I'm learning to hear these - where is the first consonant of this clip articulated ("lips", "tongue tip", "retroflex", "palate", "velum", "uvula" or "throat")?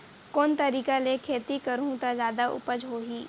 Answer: velum